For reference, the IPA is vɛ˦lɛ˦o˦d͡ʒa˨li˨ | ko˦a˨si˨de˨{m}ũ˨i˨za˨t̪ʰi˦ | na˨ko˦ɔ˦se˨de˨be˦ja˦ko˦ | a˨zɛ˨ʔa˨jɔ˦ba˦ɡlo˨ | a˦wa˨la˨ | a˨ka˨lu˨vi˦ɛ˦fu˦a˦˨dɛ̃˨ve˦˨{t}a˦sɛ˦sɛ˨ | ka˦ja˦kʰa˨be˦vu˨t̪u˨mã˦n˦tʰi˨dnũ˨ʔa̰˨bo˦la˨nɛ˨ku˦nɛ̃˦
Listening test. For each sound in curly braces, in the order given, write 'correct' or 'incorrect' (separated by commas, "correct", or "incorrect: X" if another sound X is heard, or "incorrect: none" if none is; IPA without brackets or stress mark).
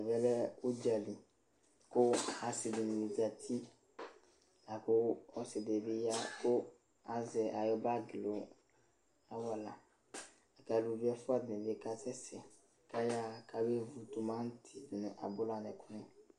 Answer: incorrect: n, incorrect: k